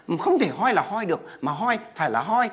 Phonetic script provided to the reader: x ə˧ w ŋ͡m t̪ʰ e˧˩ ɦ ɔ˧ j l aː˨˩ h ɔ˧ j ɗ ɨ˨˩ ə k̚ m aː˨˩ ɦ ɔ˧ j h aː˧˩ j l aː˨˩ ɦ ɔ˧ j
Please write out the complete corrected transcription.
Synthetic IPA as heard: x ə˧ w ŋ͡m t̪ʰ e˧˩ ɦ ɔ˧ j l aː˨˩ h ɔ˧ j ɗ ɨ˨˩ ə k̚ m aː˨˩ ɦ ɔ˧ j f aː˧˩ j l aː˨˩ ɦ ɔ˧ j

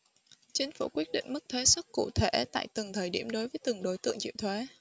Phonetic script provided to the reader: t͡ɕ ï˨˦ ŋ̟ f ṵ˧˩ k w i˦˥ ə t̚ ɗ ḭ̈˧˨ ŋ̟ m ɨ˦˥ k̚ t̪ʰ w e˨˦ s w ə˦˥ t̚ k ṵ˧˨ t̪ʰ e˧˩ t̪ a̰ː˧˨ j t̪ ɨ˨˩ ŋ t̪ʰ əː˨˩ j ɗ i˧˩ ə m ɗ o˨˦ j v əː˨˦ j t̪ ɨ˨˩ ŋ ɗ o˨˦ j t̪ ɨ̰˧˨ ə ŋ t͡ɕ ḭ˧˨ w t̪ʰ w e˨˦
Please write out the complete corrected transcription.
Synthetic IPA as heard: t͡ɕ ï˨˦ ŋ̟ f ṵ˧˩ k w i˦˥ ə t̚ ɗ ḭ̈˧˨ ŋ̟ m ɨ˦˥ k̚ t̪ʰ w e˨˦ s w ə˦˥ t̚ k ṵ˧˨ t̪ʰ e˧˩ t̪ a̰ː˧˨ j t̪ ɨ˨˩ ŋ t̪ʰ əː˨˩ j ɗ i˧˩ ə m ɗ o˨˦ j v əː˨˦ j t̪ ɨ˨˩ ŋ ɗ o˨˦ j t̪ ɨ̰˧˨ ə ŋ t͡ɕ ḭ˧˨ w t̪ʰ w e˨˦

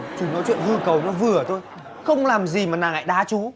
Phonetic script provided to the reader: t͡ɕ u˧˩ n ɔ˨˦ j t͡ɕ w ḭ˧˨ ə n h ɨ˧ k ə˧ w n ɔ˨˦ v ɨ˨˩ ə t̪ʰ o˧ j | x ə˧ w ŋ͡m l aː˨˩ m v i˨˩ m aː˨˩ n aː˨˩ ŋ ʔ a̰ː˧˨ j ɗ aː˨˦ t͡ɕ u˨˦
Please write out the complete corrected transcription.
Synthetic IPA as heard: t͡ɕ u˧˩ n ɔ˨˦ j t͡ɕ w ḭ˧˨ ə n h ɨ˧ k ə˨˩ w n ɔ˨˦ v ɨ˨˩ ə t̪ʰ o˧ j | x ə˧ w ŋ͡m l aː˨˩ m z i˨˩ m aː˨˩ n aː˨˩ ŋ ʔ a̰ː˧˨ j ɗ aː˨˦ t͡ɕ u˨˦

